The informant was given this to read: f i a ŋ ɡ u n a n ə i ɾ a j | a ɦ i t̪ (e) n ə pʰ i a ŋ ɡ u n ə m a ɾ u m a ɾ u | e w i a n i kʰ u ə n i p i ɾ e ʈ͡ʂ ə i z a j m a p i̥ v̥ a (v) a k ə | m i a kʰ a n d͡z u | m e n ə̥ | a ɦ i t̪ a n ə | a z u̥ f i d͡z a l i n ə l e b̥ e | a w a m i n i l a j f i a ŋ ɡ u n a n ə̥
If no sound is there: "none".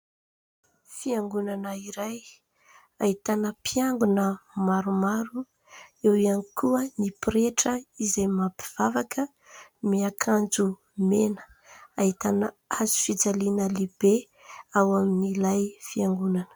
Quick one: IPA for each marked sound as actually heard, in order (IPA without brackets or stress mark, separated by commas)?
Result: a, v